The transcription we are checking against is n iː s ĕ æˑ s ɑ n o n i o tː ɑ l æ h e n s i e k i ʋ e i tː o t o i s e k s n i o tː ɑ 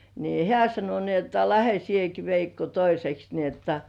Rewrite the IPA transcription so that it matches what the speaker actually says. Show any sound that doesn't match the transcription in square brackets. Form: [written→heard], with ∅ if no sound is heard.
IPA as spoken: n iː [s→h] ĕ æˑ s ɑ n o n i o tː ɑ l æ h e [n→∅] s i e k i ʋ e i [tː→kː] o t o i s e k s n i o tː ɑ